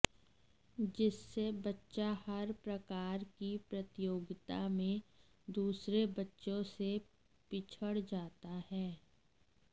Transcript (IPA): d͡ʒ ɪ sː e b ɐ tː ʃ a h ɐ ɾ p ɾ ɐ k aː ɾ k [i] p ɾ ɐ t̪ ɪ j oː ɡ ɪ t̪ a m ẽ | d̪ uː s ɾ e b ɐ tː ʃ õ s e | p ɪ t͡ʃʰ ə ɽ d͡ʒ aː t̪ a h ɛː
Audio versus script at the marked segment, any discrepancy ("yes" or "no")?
no